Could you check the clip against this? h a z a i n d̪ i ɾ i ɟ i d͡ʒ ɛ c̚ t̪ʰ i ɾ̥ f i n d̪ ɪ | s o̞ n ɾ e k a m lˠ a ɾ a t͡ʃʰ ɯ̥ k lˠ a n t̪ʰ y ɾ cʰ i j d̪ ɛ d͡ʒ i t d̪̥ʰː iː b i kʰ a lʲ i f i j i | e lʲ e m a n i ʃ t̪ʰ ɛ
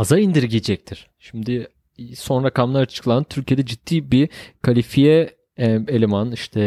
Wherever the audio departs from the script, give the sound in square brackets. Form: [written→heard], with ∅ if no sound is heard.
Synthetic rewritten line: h a z a i n d̪ i ɾ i ɟ i d͡ʒ ɛ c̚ t̪ʰ i ɾ̥ [f→ʃ] i [n→m] d̪ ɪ | s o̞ n ɾ [e→a] k a m lˠ a ɾ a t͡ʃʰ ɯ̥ k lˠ a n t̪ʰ y ɾ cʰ i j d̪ ɛ d͡ʒ i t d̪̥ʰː iː b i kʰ a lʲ i f i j [i→ɛ] | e lʲ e m a n i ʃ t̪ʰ ɛ